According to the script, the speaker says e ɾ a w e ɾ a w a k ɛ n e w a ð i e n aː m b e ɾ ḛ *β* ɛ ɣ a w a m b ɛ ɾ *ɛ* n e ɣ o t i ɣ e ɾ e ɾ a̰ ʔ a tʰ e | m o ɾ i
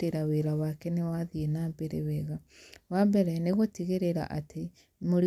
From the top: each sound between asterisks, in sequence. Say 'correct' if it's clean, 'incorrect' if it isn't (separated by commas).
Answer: incorrect, correct